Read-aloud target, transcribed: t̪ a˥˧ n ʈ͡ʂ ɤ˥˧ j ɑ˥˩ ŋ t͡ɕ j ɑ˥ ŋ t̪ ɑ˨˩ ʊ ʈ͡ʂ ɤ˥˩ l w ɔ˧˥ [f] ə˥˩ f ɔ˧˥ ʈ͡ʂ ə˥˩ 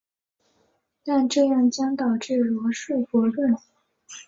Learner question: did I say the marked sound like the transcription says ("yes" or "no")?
no